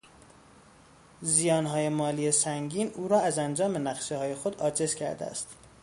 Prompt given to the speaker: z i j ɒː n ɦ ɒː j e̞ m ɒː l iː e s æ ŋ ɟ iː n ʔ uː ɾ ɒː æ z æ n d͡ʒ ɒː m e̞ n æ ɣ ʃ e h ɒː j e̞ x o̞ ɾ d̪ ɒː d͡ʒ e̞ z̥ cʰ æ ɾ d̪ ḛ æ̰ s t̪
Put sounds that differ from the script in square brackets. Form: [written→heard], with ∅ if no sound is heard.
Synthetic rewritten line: z i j ɒː n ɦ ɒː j e̞ m ɒː l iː e s æ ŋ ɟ iː n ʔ uː ɾ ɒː æ z æ n d͡ʒ ɒː m e̞ n æ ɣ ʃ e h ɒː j e̞ x o̞ [ɾ→∅] d̪ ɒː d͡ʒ e̞ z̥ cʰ æ ɾ d̪ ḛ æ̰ s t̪